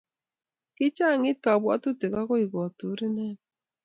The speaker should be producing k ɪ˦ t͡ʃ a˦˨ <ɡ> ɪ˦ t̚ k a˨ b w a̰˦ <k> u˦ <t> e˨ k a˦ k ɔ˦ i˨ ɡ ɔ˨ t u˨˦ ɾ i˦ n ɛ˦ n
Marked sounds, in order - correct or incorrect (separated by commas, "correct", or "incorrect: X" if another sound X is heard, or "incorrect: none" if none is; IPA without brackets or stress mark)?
incorrect: ŋ, incorrect: t, correct